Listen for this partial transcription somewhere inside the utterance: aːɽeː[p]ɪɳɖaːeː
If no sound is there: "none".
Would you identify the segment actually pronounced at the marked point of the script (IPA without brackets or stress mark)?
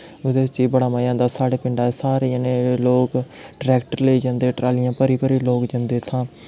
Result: p